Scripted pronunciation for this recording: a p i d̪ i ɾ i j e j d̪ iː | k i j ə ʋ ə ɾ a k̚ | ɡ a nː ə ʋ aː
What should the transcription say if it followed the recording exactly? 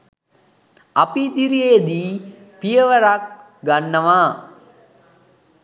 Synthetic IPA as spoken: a p i d̪ i ɾ i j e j d̪ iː | p i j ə ʋ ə ɾ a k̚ | ɡ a nː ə ʋ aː